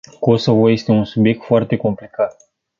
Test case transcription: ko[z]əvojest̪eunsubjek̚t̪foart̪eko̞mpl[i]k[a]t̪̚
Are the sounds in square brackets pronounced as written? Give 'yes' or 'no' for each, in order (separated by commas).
no, yes, yes